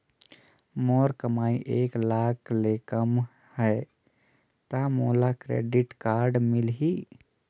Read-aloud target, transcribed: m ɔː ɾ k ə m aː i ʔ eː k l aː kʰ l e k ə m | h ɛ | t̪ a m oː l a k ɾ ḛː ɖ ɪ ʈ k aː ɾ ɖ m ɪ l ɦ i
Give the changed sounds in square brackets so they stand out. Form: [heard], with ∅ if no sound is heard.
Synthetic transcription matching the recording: m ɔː ɾ k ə m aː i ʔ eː k l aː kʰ l e k ə m | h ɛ | t̪ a m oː l a k ɾ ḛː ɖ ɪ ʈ k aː ɾ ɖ m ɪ l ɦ i